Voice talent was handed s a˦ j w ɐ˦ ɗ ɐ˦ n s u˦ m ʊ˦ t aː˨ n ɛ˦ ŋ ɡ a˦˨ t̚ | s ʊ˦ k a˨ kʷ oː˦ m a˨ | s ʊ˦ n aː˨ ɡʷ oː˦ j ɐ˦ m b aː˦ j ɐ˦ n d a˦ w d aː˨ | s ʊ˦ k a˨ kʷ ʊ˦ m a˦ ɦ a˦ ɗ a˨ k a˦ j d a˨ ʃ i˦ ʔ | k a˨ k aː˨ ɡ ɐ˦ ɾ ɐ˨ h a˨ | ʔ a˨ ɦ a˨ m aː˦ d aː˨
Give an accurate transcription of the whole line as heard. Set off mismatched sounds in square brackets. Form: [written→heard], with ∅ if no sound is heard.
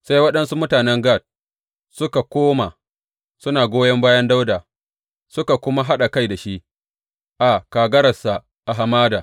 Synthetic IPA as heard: s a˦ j w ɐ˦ ɗ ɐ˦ n s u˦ m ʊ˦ t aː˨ n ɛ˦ ŋ ɡ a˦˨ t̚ | s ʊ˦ k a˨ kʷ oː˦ m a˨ | s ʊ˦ n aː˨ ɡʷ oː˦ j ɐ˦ m b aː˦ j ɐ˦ n d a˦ w d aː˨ | s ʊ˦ k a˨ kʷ ʊ˦ m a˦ ɦ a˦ ɗ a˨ k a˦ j d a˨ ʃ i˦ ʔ | [k→ʔ] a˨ k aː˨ ɡ ɐ˦ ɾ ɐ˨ [h→s] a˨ | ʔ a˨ ɦ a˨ m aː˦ d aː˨